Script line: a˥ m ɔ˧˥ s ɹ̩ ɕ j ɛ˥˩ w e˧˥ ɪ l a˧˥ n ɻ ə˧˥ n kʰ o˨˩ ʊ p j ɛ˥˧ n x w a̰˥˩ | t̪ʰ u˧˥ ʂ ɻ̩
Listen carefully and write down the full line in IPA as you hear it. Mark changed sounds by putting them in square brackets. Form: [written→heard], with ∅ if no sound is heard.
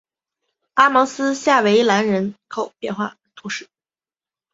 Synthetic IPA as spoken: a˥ m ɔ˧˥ s ɹ̩ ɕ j [ɛ˥˩→a˥˩] w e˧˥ ɪ l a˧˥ n ɻ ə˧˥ n kʰ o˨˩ ʊ p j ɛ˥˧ n x w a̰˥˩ | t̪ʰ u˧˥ ʂ ɻ̩